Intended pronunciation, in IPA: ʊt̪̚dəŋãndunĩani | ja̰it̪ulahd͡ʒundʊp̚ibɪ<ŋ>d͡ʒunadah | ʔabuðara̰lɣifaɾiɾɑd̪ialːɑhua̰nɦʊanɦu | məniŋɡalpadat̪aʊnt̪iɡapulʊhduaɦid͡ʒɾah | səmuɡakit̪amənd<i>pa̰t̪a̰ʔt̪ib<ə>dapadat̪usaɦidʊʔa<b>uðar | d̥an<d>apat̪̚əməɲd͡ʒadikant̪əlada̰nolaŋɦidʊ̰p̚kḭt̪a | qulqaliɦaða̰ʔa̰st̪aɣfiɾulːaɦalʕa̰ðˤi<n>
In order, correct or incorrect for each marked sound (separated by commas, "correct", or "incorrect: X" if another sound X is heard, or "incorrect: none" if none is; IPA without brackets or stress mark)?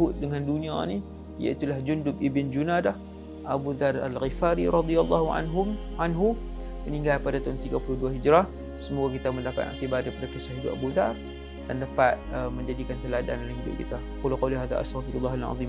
incorrect: n, incorrect: a, incorrect: a, correct, correct, incorrect: m